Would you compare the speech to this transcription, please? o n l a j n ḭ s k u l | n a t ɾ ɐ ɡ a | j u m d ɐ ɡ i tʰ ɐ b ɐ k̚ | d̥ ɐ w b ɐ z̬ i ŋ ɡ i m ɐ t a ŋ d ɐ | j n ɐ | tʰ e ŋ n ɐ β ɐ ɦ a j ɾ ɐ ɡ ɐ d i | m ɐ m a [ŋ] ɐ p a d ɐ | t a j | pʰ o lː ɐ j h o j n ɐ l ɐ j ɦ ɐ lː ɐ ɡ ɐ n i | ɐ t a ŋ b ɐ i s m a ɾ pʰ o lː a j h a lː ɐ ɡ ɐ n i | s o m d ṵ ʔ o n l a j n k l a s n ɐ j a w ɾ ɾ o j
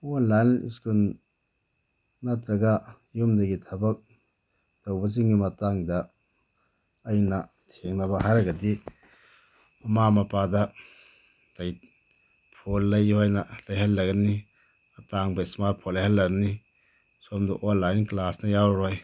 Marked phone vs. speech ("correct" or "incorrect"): incorrect